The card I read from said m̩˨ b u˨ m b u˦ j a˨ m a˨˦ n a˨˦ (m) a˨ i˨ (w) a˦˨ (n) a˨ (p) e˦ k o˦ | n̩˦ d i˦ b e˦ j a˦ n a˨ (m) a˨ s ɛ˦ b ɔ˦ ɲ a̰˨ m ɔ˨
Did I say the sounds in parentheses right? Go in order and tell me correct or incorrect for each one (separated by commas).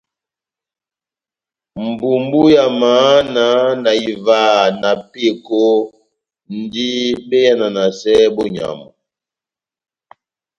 incorrect, incorrect, correct, correct, incorrect